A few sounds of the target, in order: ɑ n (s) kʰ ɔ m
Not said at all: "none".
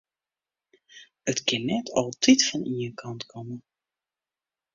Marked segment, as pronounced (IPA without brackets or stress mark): t